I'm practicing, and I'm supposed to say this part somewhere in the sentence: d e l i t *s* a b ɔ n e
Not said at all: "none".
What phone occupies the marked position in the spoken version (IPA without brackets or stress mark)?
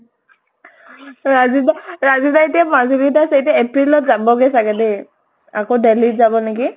z